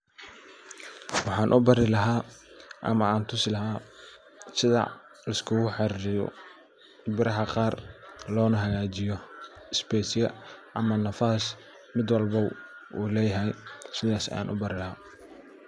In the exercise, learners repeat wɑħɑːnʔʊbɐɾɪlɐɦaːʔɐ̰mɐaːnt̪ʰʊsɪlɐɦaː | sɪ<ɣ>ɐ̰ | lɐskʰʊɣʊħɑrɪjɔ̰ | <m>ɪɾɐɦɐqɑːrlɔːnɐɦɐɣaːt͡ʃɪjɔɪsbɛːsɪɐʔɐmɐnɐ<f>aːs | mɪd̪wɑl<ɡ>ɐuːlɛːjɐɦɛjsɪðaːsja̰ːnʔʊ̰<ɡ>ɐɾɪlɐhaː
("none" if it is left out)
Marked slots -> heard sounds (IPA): ð, b, f, b, b

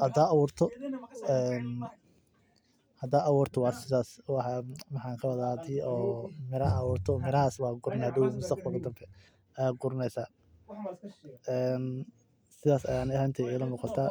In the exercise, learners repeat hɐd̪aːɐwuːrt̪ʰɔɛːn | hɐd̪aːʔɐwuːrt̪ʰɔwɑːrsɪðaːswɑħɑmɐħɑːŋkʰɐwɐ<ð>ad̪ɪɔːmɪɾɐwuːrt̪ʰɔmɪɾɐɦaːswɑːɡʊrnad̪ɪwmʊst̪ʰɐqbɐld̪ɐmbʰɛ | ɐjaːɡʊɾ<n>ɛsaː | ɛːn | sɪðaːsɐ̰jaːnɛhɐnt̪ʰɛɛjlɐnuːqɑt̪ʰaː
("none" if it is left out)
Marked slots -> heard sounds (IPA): ð, n

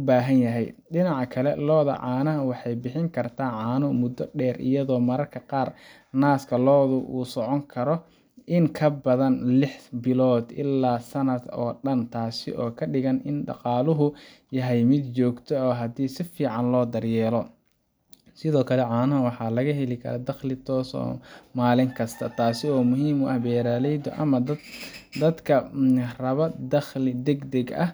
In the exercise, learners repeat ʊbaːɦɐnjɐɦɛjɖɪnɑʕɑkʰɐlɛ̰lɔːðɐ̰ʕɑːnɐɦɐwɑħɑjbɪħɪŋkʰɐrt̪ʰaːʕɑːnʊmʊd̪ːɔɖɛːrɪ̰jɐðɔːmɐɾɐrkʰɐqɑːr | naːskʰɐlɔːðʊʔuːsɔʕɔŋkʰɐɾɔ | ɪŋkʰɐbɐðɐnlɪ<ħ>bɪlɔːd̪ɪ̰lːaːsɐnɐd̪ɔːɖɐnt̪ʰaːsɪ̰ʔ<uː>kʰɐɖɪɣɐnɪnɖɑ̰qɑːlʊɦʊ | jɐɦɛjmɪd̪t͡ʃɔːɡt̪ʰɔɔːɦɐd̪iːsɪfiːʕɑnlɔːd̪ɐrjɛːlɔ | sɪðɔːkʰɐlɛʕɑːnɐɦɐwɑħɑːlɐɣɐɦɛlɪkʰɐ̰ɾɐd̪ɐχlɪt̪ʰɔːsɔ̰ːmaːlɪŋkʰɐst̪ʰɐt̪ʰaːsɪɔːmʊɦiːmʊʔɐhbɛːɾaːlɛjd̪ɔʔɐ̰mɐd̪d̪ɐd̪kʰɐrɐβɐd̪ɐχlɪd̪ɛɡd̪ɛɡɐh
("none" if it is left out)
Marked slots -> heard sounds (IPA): ħ, ɔː

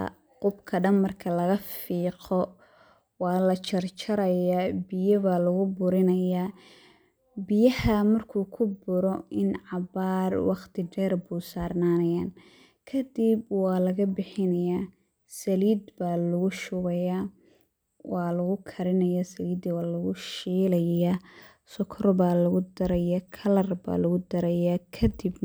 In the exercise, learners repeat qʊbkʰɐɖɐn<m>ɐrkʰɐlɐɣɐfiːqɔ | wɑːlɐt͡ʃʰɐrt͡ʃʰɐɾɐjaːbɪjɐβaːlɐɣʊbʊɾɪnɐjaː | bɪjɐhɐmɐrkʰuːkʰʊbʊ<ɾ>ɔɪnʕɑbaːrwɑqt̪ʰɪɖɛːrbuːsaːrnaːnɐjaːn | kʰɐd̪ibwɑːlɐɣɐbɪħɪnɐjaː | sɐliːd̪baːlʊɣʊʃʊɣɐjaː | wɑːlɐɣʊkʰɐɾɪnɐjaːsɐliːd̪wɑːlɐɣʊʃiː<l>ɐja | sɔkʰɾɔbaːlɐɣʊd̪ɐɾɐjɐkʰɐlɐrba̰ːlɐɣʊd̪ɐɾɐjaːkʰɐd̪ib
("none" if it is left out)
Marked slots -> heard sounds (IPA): m, ɾ, l

